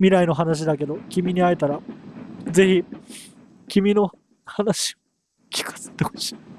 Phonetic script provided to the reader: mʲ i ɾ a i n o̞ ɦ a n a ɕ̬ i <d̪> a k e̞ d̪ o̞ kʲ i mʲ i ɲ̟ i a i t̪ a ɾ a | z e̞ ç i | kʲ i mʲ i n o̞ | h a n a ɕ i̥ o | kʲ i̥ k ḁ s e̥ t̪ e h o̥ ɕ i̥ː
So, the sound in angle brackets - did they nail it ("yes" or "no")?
yes